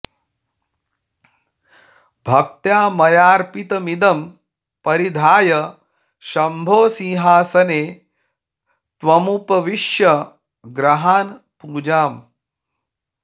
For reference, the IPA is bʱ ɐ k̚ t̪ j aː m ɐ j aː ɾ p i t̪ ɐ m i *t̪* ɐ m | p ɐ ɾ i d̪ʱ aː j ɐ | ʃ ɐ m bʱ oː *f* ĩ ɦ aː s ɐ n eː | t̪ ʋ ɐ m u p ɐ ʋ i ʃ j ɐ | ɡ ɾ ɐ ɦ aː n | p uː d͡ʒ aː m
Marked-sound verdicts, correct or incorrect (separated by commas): incorrect, incorrect